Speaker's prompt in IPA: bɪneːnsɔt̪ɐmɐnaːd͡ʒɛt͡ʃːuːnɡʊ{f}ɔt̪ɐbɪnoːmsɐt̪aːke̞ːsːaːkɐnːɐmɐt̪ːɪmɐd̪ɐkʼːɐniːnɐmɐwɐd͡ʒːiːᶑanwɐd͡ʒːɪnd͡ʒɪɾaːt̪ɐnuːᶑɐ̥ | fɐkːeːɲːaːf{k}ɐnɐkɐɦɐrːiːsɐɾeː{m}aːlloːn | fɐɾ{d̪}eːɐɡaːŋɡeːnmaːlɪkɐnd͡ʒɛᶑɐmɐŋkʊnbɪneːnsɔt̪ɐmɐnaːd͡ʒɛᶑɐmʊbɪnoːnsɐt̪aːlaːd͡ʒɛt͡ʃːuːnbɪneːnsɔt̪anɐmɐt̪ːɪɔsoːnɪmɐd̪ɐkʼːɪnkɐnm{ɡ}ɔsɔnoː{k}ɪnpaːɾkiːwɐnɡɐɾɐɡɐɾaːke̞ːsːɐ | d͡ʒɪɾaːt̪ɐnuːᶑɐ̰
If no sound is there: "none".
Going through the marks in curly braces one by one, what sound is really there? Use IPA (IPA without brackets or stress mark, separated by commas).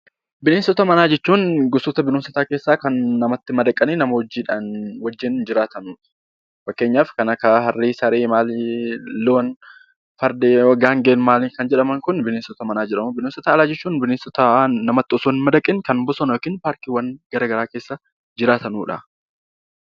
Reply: s, k, m, d̪, b, k